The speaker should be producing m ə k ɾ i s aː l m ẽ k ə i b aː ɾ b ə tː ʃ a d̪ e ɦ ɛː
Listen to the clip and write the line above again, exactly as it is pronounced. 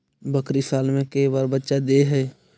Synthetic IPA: b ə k ɾ i s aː l m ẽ k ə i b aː ɾ b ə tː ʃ a d̪ e ɦ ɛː